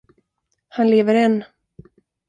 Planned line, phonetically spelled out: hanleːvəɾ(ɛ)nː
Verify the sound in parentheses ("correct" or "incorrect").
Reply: correct